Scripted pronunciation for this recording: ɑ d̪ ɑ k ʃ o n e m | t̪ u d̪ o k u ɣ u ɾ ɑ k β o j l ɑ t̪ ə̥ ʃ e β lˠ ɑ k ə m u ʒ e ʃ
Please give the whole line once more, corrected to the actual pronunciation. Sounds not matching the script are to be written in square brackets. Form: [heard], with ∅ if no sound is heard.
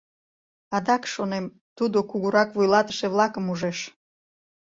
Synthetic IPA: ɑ d̪ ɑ k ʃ o n e m | t̪ u d̪ o k u ɣ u ɾ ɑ k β [u] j l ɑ t̪ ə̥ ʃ e β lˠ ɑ k ə m u ʒ e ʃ